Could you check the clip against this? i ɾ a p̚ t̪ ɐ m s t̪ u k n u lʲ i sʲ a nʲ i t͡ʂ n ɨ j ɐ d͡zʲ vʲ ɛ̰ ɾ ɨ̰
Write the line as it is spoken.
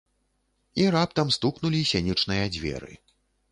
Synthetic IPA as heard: i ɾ a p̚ t̪ ɐ m s t̪ u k n u lʲ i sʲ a nʲ i t͡ʂ n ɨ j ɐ d͡zʲ vʲ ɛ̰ ɾ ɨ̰